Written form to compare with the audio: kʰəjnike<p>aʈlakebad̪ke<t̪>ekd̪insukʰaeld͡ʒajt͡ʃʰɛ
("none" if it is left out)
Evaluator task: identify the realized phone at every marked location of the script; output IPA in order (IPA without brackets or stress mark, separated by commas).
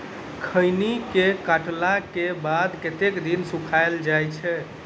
k, t̪